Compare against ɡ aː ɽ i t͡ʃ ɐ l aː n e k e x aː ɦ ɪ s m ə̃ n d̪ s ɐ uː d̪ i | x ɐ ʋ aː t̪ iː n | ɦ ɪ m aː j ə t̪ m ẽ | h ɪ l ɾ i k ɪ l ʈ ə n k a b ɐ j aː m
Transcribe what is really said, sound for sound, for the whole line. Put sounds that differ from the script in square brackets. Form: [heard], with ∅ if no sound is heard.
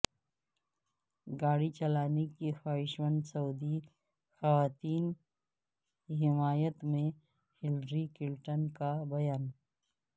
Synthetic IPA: ɡ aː ɽ i t͡ʃ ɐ l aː n e k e x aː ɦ ɪ [ʃ] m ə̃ n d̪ s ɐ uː d̪ i | x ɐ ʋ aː t̪ iː n | ɦ ɪ m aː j ə t̪ m ẽ | h ɪ l ɾ i k ɪ l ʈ ə n k a b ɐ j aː [n]